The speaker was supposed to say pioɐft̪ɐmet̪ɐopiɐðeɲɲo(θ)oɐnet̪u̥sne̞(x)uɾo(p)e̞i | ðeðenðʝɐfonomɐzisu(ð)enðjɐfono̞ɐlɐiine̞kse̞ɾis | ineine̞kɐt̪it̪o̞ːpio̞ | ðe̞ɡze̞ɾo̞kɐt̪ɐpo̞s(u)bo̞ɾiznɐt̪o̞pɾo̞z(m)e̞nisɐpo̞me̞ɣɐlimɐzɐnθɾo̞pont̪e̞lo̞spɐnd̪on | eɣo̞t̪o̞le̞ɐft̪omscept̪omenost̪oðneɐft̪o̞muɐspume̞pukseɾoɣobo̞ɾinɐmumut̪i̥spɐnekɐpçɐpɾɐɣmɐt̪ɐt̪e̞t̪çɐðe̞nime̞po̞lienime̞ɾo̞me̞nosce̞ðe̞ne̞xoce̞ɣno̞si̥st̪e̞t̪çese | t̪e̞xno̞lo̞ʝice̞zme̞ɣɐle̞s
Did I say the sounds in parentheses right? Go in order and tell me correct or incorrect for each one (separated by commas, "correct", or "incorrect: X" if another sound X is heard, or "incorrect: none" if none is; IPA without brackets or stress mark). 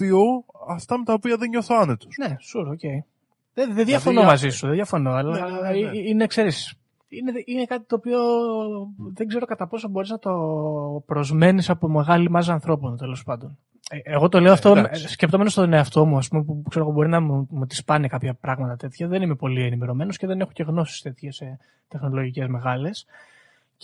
correct, incorrect: s, incorrect: c, correct, incorrect: o, correct